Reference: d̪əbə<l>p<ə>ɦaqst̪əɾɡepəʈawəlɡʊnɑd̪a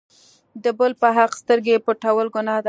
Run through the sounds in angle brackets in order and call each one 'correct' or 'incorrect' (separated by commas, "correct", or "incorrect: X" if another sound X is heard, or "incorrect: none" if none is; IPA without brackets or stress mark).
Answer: correct, correct